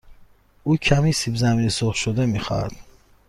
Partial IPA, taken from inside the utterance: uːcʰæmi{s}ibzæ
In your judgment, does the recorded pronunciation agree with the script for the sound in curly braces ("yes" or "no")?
yes